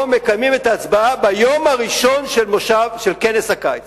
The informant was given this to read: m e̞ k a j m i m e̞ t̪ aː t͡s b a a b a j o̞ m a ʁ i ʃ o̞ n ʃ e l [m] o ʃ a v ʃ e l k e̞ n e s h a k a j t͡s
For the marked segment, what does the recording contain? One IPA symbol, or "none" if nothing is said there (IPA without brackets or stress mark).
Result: m